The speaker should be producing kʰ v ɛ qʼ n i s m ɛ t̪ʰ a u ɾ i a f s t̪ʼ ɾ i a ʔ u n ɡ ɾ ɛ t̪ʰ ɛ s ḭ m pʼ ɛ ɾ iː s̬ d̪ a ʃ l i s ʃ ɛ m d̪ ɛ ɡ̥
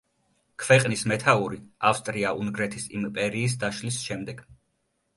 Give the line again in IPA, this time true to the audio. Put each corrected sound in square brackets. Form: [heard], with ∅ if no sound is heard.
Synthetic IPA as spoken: kʰ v ɛ qʼ n i s m ɛ t̪ʰ a u ɾ i a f s t̪ʼ ɾ i a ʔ u n ɡ ɾ ɛ t̪ʰ [i] s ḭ m pʼ ɛ ɾ iː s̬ d̪ a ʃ l i s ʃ ɛ m d̪ ɛ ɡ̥

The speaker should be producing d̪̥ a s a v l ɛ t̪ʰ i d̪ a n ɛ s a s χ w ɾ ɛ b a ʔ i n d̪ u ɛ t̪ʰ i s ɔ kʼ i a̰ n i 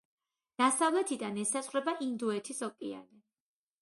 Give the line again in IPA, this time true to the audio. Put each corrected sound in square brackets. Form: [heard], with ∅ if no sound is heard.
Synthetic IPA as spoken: d̪̥ a s a v l ɛ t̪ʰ i d̪ a n ɛ s a s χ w ɾ ɛ b a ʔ i n d̪ u ɛ t̪ʰ i s ɔ kʼ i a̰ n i

